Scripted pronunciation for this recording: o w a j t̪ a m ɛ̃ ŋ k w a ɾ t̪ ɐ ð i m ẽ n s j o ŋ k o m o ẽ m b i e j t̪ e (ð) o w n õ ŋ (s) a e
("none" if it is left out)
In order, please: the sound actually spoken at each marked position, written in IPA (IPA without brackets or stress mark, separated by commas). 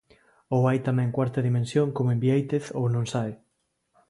θ, s